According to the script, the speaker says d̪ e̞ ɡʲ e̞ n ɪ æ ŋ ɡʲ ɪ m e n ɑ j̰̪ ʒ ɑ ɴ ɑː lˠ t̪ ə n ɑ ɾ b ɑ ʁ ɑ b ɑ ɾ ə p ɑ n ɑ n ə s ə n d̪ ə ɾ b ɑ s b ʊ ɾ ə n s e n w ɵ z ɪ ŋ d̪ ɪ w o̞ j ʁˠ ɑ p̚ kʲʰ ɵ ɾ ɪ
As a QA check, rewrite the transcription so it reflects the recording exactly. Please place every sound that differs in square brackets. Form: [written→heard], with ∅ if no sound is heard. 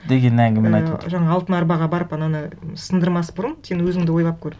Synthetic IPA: d̪ e̞ ɡʲ e̞ n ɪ æ ŋ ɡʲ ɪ m e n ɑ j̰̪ ʒ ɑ ɴ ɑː lˠ t̪ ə n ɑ ɾ b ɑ ʁ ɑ b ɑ ɾ ə p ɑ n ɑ n ə s ə n d̪ ə ɾ [b→m] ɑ s b ʊ ɾ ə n s e n w ɵ z ɪ ŋ d̪ ɪ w o̞ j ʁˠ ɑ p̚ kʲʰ ɵ ɾ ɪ